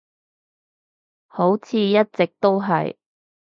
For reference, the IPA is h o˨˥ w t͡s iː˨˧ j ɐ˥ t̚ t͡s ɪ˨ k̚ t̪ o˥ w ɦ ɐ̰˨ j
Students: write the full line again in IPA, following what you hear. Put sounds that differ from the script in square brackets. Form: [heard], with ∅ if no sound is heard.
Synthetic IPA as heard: h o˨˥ w [t͡sʰ] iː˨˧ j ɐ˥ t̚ t͡s ɪ˨ k̚ t̪ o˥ w ɦ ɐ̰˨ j